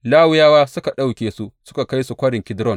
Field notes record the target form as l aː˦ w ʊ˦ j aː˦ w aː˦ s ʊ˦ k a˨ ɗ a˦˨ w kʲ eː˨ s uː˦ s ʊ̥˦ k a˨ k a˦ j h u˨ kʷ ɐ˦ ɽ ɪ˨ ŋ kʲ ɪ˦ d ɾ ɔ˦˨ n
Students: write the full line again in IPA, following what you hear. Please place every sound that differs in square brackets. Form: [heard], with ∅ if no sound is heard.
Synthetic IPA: l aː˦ w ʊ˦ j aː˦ w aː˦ s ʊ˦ k a˨ ɗ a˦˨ w kʲ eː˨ s [u˦] s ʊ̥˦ k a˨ k a˦ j [s] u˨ kʷ ɐ˦ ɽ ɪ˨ ŋ kʲ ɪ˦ d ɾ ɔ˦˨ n